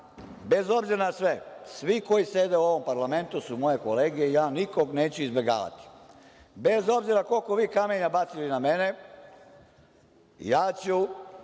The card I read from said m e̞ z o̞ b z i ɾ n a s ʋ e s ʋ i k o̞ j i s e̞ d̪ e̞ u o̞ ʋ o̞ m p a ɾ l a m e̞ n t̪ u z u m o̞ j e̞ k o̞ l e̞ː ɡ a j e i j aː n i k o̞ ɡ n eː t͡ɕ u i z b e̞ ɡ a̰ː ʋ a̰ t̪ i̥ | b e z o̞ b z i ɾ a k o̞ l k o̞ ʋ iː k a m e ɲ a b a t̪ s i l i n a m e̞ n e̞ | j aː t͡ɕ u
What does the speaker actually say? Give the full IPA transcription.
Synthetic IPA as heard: b e̞ z o̞ b z i ɾ n a s ʋ e s ʋ i k o̞ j i s e̞ d̪ e̞ u o̞ ʋ o̞ m p a ɾ l a m e̞ n t̪ u s u m o̞ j e̞ k o̞ l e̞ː ɡ i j e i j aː n i k o̞ ɡ n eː t͡ɕ u i z b e̞ ɡ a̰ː ʋ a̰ t̪ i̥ | b e z o̞ b z i ɾ a k o̞ l k o̞ ʋ iː k a m e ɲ a b a t̪ s i l i n a m e̞ n e̞ | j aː t͡ɕ u